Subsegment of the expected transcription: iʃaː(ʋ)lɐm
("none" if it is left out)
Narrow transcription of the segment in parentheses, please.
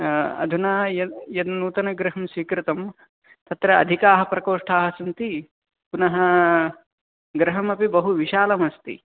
none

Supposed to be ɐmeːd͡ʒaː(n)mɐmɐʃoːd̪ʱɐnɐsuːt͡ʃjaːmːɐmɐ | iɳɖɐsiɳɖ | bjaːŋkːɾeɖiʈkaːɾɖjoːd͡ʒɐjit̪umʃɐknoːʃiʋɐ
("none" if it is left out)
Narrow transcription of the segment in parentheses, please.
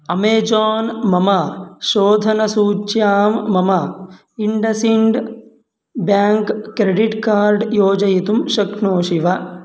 n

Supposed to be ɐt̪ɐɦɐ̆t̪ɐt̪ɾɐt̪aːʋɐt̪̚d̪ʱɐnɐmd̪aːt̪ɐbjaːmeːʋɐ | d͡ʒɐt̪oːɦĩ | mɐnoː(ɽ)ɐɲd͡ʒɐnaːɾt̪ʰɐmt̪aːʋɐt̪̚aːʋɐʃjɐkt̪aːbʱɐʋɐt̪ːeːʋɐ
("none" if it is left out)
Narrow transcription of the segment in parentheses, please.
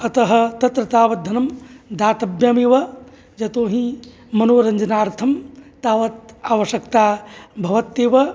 ɾ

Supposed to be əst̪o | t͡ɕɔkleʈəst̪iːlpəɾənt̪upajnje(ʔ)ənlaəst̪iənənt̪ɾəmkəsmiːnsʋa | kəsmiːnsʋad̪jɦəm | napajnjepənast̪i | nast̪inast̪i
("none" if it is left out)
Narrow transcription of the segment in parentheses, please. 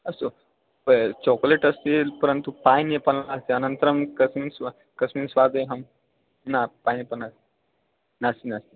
p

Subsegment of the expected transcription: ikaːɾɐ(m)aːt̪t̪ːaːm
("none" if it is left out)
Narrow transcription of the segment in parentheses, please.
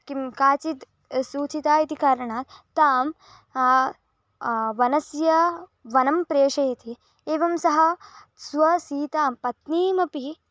ɳ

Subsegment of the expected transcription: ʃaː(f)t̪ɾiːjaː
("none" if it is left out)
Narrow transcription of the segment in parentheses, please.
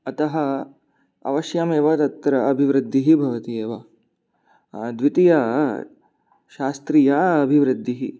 s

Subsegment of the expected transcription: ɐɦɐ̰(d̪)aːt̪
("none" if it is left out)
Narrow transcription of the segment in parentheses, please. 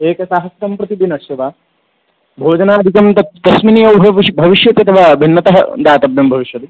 d̪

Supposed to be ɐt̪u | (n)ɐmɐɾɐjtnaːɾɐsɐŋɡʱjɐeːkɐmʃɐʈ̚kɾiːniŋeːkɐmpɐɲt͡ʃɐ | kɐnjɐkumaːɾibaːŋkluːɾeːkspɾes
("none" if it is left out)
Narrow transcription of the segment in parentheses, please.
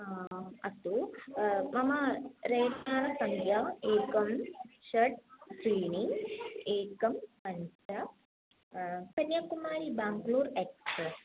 m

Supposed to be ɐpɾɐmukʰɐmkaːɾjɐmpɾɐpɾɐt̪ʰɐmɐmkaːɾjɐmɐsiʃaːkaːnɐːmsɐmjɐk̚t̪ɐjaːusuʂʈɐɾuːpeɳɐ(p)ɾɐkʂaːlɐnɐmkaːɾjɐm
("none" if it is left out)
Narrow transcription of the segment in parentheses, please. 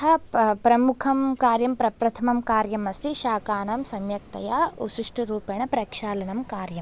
p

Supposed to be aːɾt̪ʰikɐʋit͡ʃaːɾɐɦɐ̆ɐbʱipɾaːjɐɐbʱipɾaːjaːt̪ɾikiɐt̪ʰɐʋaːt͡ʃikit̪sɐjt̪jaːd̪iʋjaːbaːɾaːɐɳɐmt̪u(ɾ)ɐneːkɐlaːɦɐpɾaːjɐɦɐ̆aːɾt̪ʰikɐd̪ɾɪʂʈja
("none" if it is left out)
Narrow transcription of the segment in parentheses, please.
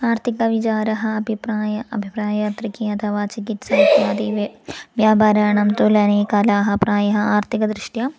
l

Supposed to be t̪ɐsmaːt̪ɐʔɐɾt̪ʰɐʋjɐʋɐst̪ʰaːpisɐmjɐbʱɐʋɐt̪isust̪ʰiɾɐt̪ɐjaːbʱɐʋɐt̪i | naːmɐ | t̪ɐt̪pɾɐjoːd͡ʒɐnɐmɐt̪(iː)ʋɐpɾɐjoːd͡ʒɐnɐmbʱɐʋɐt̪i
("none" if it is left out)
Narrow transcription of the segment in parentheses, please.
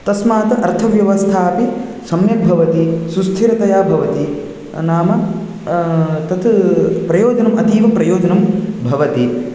iː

